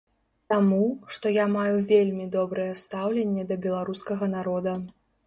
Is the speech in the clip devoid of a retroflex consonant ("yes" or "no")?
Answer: no